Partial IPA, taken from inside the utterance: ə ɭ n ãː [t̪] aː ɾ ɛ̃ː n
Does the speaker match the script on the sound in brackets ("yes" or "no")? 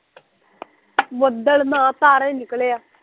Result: yes